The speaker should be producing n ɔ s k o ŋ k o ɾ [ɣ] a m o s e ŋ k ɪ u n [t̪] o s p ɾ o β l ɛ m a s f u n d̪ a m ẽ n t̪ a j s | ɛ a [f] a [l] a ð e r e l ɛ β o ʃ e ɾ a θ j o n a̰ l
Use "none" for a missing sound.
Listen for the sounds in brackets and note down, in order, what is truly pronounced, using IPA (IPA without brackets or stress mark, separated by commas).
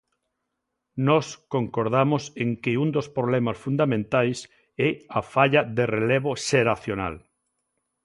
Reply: ð, d̪, f, ʎ